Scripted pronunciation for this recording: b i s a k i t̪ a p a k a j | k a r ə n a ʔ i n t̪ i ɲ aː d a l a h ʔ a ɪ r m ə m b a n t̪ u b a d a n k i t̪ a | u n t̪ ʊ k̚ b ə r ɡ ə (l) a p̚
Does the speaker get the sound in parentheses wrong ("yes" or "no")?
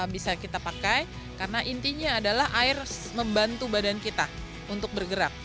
yes